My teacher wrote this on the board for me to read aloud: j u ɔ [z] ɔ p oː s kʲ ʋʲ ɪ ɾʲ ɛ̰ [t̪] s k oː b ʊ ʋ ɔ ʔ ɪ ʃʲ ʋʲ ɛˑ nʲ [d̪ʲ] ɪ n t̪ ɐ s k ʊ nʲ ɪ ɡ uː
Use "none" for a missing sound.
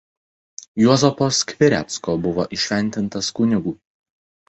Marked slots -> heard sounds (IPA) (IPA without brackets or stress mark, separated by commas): z, t̪, t̪ʲ